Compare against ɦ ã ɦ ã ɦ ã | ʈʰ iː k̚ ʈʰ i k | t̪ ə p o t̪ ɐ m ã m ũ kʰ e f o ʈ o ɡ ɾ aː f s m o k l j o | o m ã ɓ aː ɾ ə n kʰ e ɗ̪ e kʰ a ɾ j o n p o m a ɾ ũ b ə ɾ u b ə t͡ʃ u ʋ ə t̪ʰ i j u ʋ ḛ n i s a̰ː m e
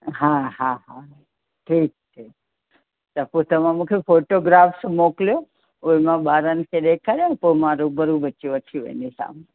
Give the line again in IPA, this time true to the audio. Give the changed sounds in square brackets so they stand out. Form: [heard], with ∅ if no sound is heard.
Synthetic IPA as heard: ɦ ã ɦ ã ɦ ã | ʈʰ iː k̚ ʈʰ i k | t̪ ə p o t̪ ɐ m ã m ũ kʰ e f o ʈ o ɡ ɾ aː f s m o k l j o | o m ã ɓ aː ɾ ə n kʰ e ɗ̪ e kʰ a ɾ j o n p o m a ɾ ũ b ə ɾ u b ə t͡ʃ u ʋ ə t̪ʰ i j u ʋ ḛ n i s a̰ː m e